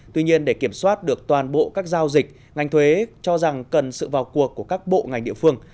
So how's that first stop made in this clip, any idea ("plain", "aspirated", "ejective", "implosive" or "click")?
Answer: plain